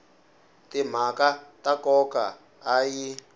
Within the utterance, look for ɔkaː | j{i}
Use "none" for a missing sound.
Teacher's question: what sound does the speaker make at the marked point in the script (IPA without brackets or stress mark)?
i